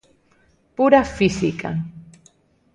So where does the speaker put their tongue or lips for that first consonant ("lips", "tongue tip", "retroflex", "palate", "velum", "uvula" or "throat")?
lips